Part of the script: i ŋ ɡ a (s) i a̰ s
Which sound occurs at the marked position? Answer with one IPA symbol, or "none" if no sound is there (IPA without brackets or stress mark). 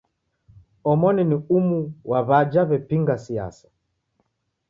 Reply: s